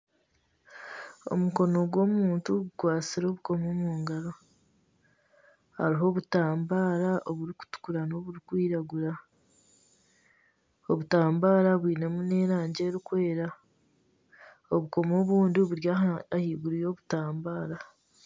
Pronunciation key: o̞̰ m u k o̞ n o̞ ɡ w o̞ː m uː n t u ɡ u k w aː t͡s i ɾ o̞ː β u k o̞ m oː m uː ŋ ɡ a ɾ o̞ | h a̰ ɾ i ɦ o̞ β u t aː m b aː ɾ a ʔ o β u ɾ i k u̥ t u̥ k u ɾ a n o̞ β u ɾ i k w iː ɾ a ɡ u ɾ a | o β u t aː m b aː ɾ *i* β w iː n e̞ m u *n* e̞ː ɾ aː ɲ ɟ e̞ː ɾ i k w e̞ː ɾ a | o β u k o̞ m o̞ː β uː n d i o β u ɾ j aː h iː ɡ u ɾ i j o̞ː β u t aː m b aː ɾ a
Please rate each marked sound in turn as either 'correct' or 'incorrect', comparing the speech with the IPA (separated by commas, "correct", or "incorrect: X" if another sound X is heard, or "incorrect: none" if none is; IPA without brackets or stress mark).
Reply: incorrect: a, correct